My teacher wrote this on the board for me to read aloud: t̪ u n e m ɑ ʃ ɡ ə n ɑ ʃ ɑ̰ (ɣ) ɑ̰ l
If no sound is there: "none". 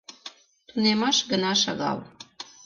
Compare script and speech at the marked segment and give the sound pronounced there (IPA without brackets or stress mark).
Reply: ɣ